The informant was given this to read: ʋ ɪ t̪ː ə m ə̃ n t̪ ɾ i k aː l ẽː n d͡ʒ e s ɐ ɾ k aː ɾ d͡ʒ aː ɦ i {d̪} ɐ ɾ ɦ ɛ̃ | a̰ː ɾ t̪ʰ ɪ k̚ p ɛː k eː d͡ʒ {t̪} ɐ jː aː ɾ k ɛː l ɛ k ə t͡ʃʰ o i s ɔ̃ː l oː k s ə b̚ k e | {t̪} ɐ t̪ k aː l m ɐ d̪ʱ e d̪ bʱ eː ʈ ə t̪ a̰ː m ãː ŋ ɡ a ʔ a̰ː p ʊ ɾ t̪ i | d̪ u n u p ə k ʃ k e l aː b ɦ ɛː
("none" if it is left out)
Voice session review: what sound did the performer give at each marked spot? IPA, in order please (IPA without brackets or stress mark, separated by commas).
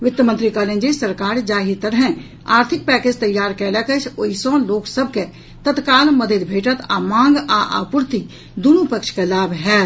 t̪, t̪, t̪